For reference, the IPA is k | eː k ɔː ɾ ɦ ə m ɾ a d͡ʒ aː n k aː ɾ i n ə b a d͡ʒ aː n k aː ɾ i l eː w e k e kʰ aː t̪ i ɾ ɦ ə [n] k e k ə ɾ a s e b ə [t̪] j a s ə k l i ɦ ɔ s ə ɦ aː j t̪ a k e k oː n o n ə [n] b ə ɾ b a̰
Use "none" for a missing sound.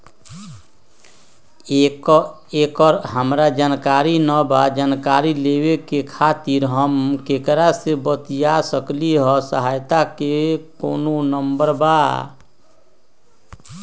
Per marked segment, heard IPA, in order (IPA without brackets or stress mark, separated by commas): m, t̪, m